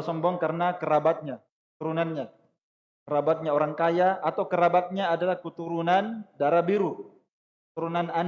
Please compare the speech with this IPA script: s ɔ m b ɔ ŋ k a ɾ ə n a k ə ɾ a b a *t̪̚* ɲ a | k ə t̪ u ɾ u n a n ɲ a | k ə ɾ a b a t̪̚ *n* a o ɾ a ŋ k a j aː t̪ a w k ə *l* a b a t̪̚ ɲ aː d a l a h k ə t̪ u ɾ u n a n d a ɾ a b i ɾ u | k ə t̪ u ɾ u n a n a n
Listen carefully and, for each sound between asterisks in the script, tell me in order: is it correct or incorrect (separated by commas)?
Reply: correct, incorrect, incorrect